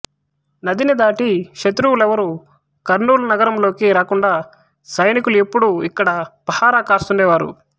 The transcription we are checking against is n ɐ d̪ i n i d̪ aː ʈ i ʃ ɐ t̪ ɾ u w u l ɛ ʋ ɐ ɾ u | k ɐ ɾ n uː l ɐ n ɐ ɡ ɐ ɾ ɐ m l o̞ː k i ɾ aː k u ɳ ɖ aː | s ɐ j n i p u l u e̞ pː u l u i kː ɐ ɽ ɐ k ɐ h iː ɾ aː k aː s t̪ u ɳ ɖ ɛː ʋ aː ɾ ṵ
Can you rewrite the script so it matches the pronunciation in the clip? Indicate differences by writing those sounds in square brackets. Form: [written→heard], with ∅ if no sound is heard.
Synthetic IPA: n ɐ d̪ i n i d̪ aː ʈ i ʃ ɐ t̪ ɾ u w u l ɛ ʋ ɐ ɾ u | k ɐ ɾ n uː l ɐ n ɐ ɡ ɐ ɾ ɐ m l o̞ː k i ɾ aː k u ɳ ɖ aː | s ɐ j n i [p→k] u l u e̞ pː u [l→ɽ] u i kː ɐ ɽ ɐ [k→p] ɐ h [iː→aː] ɾ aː k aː s t̪ u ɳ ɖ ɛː ʋ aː ɾ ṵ